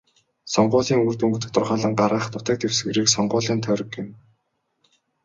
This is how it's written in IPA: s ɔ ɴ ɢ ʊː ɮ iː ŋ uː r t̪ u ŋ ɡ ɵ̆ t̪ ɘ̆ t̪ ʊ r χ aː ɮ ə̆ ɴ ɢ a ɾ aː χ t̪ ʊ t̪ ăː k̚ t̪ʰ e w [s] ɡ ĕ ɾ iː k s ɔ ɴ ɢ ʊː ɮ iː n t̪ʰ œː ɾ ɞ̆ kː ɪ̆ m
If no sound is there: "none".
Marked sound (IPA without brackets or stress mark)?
s